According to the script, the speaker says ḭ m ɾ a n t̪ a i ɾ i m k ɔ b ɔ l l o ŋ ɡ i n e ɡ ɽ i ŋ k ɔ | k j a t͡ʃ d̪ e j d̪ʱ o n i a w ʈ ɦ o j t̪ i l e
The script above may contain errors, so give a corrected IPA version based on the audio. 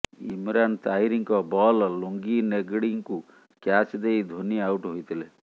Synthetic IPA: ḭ m ɾ a n t̪ a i ɾ i ŋ k ɔ b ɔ l l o ŋ ɡ i n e ɡ ɽ i ŋ k u | k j a t͡ʃ d̪ e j d̪ʱ o n i a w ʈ ɦ o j t̪ i l e